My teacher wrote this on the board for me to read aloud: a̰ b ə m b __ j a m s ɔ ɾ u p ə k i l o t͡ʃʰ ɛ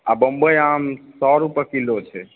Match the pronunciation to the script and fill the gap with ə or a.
ə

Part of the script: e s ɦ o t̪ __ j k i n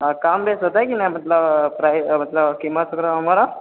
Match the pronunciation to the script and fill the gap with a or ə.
a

